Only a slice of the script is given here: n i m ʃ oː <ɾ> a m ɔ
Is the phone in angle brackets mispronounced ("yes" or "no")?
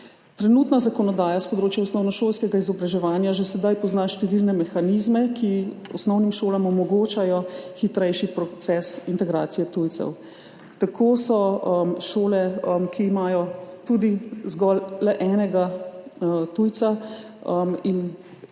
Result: yes